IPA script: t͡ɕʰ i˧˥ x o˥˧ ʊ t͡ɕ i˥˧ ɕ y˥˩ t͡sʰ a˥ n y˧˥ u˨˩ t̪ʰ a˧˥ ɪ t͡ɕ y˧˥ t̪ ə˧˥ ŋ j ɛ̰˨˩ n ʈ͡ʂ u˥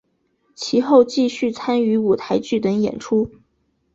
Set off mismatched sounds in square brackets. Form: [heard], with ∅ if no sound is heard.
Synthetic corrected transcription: t͡ɕʰ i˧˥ x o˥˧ ʊ t͡ɕ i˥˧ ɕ y˥˩ t͡sʰ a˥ n y˧˥ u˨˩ t̪ʰ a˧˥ ɪ t͡ɕ [y˥˩] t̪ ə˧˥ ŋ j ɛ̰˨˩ n [ʈ͡ʂʰ] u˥